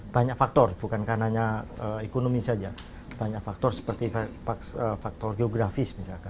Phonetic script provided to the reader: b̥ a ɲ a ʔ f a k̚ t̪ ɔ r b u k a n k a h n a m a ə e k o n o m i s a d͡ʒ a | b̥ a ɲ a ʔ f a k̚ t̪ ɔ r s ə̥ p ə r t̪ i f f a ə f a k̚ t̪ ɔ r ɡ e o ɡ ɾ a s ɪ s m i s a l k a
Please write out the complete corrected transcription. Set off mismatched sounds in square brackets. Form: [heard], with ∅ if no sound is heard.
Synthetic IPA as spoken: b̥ a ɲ a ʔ f a k̚ t̪ ɔ r b u k a n k a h n a [ɲ] a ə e k o n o m i s a d͡ʒ a | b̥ a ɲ a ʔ f a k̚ t̪ ɔ r s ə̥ p ə r t̪ i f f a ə f a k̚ t̪ ɔ r ɡ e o ɡ ɾ a [f] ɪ s m i s a l k a

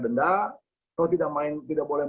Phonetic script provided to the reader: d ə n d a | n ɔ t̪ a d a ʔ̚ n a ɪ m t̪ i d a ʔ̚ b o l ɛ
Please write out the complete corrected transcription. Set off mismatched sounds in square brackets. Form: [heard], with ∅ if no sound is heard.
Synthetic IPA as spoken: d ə n d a | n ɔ t̪ [i] d a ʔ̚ [m] a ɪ [n] t̪ i d a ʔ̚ b o l ɛ

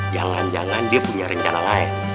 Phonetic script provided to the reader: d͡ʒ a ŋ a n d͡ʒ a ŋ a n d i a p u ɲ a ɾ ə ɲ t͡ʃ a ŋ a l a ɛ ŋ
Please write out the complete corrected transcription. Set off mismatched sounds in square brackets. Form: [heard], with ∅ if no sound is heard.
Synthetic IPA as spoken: d͡ʒ a ŋ a n d͡ʒ a ŋ a n d i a p u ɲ a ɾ ə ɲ t͡ʃ a [n] a l a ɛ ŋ

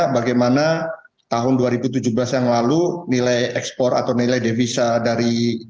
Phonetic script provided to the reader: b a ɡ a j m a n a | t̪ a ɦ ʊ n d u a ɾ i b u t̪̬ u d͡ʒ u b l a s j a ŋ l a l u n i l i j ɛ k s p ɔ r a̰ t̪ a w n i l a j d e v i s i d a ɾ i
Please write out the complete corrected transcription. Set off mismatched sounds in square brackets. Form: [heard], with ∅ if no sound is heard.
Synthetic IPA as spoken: b a ɡ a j m a n a | t̪ a ɦ ʊ n d u a ɾ i b u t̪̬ u d͡ʒ u b l a s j a ŋ l a l u n i l [a] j ɛ k s p ɔ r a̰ t̪ a w n i l a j d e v i s [a] d a ɾ i

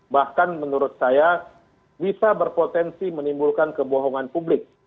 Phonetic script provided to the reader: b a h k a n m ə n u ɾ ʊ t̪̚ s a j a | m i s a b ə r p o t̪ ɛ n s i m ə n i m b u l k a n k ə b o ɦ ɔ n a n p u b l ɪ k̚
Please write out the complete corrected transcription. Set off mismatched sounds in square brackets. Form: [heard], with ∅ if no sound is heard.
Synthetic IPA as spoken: b a h k a n m ə n u ɾ ʊ t̪̚ s a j a | [b] i s a b ə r p o t̪ ɛ n s i m ə n i m b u l k a n k ə b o ɦ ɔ [ŋ] a n p u b l ɪ k̚

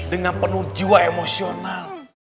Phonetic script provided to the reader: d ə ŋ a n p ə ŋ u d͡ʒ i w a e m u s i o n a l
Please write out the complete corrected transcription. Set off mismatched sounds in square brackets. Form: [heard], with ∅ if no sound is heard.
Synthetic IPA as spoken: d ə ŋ a n p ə [n] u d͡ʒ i w a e m [o] s i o n a l

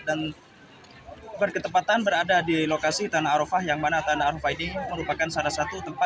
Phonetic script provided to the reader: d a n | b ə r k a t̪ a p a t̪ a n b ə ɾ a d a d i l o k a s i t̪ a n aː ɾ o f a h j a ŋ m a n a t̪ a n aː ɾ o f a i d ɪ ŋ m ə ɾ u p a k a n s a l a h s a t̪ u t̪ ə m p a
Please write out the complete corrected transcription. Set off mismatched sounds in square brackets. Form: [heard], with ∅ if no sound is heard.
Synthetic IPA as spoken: d a n | b ə r k [ə] t̪ [ə] p a t̪ a n b ə ɾ a d a d i l o k a s i t̪ a n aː ɾ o f a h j a ŋ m a n a t̪ a n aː ɾ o f a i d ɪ ŋ m ə ɾ u p a k a n s a l a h s a t̪ u t̪ ə m p a

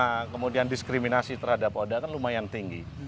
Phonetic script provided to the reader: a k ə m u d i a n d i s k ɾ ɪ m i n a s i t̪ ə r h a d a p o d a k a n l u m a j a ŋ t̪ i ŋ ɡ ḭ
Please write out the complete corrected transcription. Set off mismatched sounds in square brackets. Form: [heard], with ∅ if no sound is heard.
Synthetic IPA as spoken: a k ə m u d i a n d i s k ɾ [i] m i n a s i t̪ ə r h a d a p o d a k a n l u m a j a [n] t̪ i ŋ ɡ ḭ

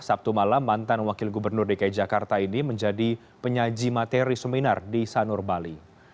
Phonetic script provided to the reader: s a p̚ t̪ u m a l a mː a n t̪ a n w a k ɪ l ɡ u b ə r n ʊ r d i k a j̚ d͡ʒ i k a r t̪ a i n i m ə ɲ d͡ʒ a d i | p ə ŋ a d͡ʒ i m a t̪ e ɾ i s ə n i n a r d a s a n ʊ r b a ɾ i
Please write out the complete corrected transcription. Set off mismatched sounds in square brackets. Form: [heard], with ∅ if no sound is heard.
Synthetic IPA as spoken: s a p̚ t̪ u m a l a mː a n t̪ a n w a k ɪ l ɡ u b ə r n ʊ r d i k a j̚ d͡ʒ [a] k a r t̪ a i n i m ə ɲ d͡ʒ a d i | p ə [ɲ] a d͡ʒ i m a t̪ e ɾ i s ə [m] i n a r d [i] s a n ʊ r b a [l] i

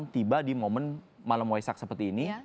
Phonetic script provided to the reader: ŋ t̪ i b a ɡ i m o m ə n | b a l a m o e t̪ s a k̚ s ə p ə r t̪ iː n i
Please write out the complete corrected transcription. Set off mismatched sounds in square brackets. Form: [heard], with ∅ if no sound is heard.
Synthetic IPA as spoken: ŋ t̪ i b a [d] i m o m ə n | [m] a l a m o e [∅] s a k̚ s ə p ə r t̪ iː n i

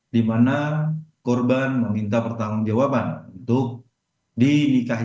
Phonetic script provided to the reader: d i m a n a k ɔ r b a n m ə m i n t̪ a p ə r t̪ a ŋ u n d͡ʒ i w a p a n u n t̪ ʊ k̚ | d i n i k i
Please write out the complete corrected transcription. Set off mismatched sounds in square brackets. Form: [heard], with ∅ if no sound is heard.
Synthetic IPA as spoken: d i m a n a k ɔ r b a n m ə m i n t̪ a p ə r t̪ a ŋ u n d͡ʒ [a] w a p a n u n t̪ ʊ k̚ | d i n i k [a]

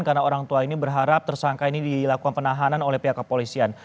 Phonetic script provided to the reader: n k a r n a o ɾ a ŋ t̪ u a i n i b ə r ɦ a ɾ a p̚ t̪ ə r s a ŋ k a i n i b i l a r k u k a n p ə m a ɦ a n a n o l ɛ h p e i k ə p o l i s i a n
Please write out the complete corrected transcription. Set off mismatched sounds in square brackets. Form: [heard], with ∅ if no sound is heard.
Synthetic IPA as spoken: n k a r n a o ɾ a ŋ t̪ u a i n i b ə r ɦ a ɾ a p̚ t̪ ə r s a ŋ k a i n i [d] i l a [∅] k u k a n p ə [n] a ɦ a n a n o l ɛ h p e [a] k ə p o l i s i a n

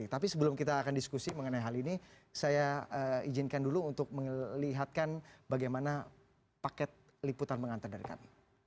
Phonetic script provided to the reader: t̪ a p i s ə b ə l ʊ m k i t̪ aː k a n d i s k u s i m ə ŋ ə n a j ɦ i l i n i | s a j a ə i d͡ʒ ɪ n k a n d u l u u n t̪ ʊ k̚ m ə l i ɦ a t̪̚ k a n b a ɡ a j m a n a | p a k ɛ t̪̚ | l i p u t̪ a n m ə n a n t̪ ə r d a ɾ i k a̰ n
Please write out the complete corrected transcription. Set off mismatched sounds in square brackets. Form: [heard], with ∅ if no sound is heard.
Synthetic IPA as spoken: t̪ a p i s ə b ə l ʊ m k i t̪ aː k a n d i s k u s i m ə ŋ ə n a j ɦ [a] l i n i | s a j a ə i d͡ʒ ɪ n k a n d u l u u n t̪ ʊ k̚ m ə l i ɦ a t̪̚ k a n b a ɡ a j m a n a | p a k ɛ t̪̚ | l i p u t̪ a n m ə [ŋ] a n t̪ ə r d a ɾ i k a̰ n

